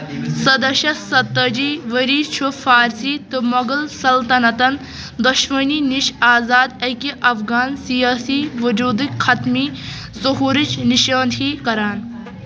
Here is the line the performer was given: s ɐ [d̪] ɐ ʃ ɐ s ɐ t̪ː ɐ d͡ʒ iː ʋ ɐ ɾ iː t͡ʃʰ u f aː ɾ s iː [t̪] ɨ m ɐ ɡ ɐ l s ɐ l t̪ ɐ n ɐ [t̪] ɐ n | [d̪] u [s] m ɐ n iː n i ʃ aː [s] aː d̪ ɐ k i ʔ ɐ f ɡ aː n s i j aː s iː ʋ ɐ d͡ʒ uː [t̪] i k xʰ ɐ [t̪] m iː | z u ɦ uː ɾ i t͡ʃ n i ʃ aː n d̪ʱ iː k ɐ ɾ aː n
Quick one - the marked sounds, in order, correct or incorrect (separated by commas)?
correct, correct, correct, correct, incorrect, incorrect, incorrect, correct